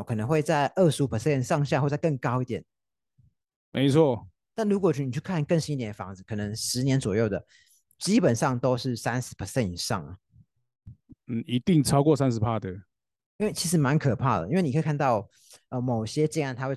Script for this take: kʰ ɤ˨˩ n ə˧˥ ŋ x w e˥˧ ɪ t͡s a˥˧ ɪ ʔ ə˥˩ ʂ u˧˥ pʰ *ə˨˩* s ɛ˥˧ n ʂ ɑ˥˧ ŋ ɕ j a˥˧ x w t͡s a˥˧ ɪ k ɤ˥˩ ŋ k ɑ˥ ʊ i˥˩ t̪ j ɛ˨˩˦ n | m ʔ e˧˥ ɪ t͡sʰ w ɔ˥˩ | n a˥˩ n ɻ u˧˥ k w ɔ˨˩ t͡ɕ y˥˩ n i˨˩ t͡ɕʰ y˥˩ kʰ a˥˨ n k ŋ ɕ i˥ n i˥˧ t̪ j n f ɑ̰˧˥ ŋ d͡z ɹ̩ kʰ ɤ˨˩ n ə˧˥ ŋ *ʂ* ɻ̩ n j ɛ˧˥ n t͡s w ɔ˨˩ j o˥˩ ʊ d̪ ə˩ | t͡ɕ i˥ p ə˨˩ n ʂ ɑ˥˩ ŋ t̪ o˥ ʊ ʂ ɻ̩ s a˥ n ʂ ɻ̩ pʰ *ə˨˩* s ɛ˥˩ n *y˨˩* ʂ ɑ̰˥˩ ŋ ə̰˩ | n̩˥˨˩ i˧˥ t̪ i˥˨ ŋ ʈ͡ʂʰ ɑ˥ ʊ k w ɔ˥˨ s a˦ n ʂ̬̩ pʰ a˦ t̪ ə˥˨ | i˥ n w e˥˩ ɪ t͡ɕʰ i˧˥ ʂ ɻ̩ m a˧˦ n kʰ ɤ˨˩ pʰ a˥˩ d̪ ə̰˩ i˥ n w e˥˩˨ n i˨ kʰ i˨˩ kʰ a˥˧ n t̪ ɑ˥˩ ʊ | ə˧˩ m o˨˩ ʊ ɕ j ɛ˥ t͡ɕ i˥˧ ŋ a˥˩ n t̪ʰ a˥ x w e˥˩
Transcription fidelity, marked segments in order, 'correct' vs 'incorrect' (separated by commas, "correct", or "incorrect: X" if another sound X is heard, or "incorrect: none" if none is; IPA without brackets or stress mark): correct, correct, correct, incorrect: i˨˩